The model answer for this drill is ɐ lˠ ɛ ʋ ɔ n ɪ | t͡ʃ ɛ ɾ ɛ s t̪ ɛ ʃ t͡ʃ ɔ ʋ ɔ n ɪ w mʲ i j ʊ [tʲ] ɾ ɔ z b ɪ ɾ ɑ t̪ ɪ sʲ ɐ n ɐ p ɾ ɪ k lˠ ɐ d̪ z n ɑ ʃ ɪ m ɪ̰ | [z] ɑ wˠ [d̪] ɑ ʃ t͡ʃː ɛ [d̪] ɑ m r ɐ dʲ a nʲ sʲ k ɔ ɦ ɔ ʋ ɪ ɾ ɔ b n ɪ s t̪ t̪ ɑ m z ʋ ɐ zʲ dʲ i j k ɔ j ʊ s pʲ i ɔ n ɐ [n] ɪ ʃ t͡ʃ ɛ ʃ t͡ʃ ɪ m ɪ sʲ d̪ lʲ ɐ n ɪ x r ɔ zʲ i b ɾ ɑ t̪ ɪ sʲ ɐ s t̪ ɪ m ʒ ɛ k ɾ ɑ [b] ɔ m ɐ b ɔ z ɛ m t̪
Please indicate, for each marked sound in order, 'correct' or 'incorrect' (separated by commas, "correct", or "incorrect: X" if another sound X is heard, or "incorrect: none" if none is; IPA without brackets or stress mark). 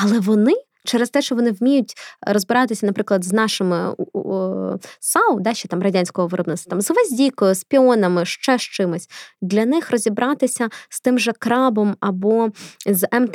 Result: correct, incorrect: s, correct, incorrect: t̪, incorrect: m, correct